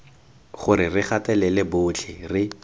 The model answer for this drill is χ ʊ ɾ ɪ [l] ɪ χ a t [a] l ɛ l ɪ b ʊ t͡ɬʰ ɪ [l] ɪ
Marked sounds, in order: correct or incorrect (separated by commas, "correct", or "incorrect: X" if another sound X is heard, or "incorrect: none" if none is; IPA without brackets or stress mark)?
incorrect: r, incorrect: ɛ, incorrect: r